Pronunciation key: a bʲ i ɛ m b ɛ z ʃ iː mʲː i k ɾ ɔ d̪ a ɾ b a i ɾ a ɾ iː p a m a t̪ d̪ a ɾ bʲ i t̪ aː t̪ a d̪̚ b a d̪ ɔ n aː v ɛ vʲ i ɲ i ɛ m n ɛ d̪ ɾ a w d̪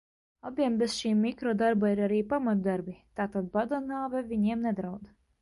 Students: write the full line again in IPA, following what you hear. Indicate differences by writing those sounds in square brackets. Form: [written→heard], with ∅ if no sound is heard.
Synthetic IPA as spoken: a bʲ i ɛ m b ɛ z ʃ iː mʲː i k ɾ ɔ d̪ a ɾ b a i ɾ a ɾ iː p a m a t̪ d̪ a ɾ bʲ i t̪ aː t̪ a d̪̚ b a d̪ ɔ n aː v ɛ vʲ i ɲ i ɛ m n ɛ d̪ ɾ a w d̪